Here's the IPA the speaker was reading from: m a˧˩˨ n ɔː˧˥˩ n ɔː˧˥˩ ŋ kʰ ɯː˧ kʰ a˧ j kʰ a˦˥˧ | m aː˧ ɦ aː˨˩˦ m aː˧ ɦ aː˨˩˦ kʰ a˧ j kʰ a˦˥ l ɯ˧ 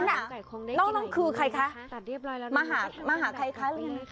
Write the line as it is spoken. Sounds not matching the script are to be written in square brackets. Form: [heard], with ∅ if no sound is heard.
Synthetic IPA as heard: [n] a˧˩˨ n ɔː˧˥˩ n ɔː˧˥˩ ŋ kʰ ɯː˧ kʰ a˧ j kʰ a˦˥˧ | m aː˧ ɦ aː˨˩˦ m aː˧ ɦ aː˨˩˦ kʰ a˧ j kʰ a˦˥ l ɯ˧